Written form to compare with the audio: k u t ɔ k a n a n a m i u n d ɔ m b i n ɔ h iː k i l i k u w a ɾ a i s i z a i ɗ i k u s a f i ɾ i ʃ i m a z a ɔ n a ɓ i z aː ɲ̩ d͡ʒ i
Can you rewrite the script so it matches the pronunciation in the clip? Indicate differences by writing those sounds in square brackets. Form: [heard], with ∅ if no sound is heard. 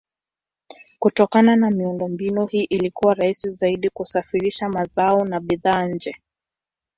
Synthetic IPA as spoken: k u t ɔ k a n a n a m i u n d ɔ m b i n [u] h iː [ʔ] i l i k u w a ɾ a i s i z a i ɗ i k u s a f i ɾ i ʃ [a] m a z a ɔ n a ɓ i [ð] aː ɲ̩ d͡ʒ [ɛ]